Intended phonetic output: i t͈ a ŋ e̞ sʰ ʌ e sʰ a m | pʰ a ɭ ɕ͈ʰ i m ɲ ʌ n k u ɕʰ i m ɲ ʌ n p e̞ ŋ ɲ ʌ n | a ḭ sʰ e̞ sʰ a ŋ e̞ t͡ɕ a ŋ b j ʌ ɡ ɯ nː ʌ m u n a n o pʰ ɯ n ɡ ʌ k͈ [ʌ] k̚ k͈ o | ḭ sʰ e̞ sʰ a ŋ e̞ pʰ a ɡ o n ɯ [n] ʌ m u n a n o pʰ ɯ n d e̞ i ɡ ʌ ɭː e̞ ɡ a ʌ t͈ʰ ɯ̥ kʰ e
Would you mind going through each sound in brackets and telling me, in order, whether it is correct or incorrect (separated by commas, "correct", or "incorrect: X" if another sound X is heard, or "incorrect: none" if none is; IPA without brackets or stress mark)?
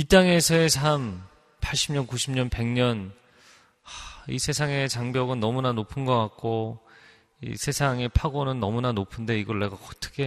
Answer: incorrect: a, incorrect: nː